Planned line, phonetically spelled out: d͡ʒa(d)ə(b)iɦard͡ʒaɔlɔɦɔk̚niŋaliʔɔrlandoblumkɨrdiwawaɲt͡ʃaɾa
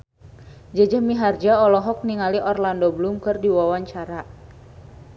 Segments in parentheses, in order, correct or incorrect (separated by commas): incorrect, incorrect